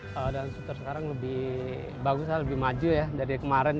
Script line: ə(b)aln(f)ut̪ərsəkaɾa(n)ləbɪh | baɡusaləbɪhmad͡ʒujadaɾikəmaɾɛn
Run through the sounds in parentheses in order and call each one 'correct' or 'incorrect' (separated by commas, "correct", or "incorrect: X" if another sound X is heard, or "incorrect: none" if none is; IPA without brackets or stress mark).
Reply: incorrect: d, incorrect: s, incorrect: ŋ